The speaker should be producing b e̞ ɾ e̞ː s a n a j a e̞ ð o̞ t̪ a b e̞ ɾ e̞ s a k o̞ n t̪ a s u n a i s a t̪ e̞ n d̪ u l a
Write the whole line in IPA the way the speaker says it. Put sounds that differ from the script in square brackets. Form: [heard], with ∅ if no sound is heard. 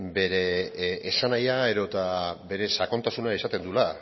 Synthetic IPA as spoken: b e̞ ɾ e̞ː s a n a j a e̞ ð o̞ t̪ a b e̞ ɾ e̞ s a k o̞ n t̪ a s u n a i s a t̪ e̞ n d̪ u l a